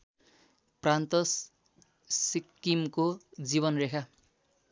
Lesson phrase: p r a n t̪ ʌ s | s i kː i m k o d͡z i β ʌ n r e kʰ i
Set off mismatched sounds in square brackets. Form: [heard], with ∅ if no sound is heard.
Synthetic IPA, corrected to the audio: p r a n t̪ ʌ s | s i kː i m k o d͡z i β ʌ n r e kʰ [a]